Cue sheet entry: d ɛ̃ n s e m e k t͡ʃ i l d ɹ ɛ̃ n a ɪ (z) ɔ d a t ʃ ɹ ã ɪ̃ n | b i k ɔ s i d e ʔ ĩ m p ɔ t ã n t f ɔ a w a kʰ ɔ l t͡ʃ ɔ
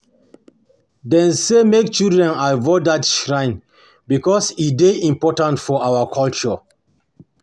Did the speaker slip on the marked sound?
yes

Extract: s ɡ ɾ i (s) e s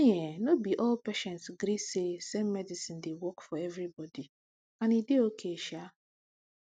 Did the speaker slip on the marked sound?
no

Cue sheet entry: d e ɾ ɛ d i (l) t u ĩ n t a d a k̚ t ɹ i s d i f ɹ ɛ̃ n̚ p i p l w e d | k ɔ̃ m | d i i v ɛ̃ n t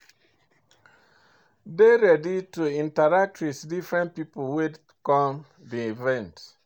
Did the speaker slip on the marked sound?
yes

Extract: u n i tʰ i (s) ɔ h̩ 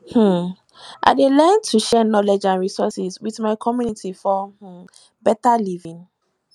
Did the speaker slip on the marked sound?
yes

